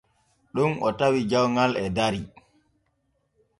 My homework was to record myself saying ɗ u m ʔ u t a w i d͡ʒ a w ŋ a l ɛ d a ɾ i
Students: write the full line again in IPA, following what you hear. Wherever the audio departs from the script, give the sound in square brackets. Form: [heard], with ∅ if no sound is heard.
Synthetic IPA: ɗ u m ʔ [ɔ] t a w i d͡ʒ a w ŋ a l ɛ d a ɾ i